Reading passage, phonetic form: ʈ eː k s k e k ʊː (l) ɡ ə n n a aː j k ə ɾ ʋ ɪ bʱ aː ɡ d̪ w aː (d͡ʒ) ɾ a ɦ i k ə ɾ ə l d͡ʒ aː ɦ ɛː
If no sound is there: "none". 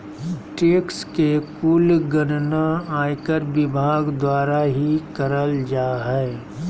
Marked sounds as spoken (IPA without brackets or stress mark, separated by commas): l, none